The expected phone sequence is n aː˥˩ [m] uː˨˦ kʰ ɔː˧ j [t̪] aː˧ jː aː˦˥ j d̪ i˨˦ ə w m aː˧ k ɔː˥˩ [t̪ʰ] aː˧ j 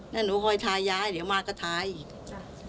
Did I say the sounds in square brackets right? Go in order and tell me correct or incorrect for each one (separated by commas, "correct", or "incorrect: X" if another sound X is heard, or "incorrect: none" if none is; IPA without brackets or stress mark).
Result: incorrect: n, incorrect: t̪ʰ, correct